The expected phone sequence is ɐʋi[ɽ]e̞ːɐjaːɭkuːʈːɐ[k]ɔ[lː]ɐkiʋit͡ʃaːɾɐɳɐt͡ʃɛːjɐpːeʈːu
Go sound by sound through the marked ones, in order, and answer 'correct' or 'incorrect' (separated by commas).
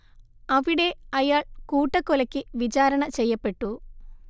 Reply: correct, correct, incorrect